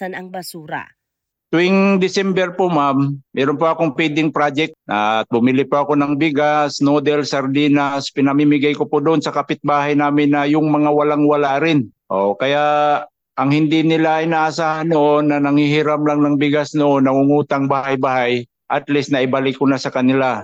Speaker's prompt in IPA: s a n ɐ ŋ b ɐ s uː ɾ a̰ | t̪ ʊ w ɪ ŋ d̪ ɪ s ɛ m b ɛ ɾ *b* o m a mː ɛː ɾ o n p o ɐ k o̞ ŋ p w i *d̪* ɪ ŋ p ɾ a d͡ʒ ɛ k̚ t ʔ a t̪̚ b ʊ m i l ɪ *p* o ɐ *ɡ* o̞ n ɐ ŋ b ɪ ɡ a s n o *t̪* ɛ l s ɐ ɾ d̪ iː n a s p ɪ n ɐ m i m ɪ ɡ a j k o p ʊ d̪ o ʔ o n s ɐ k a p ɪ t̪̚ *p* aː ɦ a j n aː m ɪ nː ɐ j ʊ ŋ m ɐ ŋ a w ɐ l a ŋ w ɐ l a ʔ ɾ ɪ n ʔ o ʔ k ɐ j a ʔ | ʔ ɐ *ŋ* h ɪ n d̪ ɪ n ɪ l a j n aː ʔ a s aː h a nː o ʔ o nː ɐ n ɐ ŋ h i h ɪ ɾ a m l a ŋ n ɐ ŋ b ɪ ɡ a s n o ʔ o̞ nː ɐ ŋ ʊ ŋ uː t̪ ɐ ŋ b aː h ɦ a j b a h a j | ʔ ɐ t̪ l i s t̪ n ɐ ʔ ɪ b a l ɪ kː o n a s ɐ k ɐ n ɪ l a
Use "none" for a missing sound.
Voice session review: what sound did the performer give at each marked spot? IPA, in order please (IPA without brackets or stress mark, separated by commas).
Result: p, d̪, p, k, d̪, b, ŋ